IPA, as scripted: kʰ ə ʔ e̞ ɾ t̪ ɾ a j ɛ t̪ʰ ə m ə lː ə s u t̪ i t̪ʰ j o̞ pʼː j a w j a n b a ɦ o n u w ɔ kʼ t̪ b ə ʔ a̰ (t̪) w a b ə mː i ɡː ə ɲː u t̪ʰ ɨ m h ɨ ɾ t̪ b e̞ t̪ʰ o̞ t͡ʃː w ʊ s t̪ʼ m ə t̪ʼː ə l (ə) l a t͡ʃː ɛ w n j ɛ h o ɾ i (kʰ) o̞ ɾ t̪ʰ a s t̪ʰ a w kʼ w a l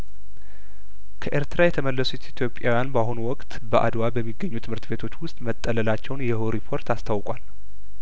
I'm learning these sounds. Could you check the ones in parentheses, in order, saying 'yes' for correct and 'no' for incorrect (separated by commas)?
no, yes, no